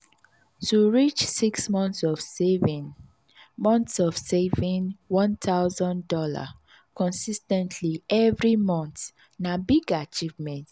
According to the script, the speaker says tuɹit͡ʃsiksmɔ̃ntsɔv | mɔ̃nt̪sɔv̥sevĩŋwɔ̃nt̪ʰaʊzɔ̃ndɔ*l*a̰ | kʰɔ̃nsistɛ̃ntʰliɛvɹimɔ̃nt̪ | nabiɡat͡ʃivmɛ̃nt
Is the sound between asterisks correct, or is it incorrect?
correct